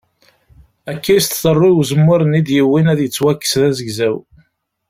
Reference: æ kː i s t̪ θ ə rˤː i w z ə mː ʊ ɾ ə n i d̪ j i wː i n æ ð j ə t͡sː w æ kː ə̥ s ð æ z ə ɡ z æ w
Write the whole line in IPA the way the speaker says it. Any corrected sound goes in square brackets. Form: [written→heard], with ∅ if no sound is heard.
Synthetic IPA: æ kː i s t̪ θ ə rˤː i w z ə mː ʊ ɾ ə n i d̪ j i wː i n æ ð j ə t͡sː w æ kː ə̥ s ð æ z ə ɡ z æ w